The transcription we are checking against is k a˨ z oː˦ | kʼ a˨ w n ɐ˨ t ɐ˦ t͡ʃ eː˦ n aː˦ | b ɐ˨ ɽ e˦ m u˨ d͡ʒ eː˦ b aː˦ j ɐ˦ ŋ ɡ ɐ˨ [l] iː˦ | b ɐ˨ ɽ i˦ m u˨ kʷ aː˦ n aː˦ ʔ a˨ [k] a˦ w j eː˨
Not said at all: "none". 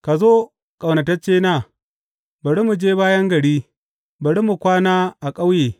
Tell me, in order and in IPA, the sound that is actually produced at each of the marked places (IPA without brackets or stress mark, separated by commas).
ɽ, kʼ